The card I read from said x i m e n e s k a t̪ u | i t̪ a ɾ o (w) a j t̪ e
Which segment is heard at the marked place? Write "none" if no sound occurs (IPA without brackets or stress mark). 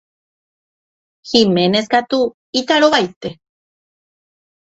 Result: β